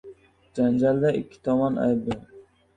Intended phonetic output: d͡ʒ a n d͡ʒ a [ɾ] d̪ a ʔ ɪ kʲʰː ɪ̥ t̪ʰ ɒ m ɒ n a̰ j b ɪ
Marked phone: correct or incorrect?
incorrect